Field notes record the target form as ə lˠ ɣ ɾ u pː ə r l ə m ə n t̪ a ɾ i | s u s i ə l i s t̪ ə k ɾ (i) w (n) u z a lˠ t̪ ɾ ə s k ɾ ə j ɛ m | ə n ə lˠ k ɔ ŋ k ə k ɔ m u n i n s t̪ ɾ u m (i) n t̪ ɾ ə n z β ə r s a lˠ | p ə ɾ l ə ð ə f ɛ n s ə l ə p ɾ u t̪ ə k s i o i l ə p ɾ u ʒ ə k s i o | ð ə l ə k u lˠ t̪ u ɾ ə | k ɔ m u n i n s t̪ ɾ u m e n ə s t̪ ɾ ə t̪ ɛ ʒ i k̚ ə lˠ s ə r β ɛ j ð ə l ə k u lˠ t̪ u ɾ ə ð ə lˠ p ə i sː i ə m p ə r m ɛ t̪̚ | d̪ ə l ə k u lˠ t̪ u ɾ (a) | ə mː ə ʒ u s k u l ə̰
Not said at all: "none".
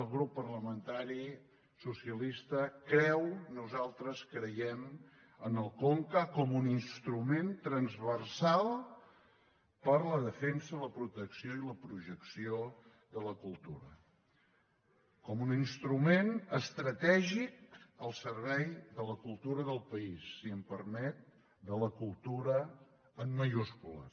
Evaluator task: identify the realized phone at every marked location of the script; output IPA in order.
ɛ, n, e, ə

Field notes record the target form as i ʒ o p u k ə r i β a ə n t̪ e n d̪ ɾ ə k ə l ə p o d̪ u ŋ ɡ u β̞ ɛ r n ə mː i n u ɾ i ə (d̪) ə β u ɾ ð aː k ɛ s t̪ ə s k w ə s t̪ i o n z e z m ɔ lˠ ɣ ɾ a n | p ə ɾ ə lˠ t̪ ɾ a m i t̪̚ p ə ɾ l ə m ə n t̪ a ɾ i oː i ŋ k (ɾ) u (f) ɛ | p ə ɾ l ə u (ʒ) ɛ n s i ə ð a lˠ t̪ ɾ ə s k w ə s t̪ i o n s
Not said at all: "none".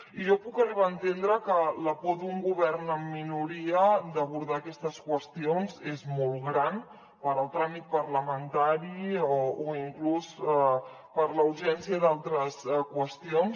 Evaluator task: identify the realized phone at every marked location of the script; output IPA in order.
d̪, l, s, ʒ

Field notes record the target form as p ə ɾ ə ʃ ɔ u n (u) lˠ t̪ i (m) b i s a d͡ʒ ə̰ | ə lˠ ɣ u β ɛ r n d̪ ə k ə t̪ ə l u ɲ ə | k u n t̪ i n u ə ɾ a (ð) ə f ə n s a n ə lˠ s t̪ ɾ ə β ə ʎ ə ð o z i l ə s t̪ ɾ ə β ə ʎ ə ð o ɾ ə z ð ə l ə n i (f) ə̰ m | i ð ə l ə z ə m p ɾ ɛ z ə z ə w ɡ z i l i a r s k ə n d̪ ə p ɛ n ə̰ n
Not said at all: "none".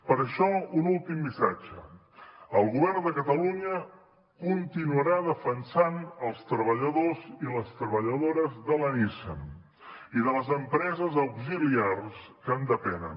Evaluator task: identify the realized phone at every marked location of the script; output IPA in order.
u, m, ð, s

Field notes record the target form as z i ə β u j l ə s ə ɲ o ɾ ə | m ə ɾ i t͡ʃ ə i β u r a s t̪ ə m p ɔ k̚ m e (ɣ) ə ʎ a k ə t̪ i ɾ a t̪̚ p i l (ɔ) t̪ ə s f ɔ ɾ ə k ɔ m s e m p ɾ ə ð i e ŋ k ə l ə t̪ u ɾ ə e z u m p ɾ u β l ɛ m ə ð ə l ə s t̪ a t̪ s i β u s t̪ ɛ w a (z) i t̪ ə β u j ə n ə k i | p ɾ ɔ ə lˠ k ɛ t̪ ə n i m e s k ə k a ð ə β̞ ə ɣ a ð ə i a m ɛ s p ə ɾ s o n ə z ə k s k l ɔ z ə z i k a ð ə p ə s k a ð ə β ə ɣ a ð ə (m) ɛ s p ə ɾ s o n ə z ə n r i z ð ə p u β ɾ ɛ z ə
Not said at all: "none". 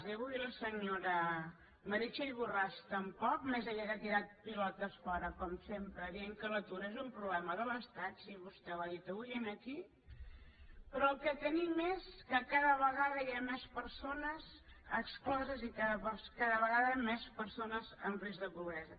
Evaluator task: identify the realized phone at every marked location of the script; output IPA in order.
z, ɔ, ð, m

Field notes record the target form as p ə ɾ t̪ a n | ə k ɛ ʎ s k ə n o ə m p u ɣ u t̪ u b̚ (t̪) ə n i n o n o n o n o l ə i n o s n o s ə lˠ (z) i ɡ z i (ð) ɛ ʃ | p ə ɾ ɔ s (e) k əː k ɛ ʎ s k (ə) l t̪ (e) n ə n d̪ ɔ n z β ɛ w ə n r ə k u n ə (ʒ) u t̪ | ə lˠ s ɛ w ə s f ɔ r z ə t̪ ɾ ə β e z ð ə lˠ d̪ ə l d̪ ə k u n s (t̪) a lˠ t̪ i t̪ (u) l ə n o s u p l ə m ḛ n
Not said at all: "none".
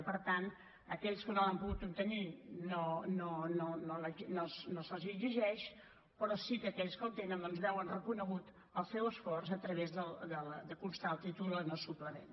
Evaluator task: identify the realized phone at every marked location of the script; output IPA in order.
t̪, z, ʒ, i, ə, e, ɣ, t̪, u

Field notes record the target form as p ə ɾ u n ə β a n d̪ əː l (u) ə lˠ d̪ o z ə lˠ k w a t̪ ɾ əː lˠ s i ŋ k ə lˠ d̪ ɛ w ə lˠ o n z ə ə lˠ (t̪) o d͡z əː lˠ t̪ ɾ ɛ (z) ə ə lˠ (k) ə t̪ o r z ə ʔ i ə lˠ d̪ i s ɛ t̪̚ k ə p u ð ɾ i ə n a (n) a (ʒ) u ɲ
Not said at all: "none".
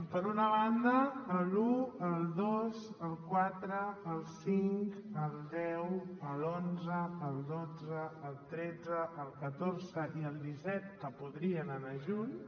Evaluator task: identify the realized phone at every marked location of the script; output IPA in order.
u, d̪, d͡z, k, n, ʒ

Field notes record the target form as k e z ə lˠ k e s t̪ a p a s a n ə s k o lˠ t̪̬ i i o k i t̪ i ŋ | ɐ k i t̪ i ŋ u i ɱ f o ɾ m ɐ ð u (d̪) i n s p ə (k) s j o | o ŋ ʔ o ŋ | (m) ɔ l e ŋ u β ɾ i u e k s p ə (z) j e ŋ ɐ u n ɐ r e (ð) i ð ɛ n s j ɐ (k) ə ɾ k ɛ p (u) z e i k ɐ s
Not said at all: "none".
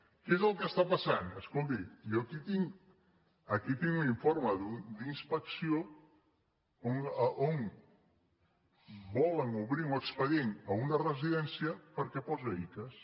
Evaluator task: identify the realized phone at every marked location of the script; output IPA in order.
d̪, k, b, ð, z, p, ɔ

